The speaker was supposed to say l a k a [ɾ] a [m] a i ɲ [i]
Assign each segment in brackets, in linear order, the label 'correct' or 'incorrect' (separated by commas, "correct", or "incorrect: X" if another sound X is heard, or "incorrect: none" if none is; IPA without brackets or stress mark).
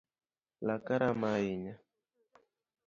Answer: correct, correct, incorrect: a